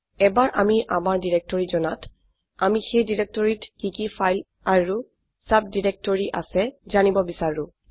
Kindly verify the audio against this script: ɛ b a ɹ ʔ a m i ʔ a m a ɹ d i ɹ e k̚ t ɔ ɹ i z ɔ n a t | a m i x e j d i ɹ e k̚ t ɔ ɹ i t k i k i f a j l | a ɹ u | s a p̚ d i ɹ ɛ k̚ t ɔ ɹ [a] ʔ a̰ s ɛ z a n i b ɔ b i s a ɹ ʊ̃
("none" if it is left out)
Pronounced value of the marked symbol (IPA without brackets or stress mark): i